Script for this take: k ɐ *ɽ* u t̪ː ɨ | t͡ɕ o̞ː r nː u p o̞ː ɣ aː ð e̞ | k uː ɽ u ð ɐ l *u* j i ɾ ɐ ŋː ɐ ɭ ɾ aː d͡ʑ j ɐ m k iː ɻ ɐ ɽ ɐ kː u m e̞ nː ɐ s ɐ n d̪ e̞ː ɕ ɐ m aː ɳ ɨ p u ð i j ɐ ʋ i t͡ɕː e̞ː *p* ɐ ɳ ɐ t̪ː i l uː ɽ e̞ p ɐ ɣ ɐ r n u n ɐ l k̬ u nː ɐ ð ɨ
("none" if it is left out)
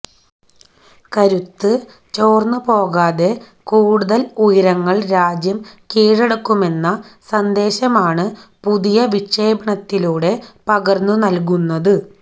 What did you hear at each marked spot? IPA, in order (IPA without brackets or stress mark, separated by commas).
ɾ, u, b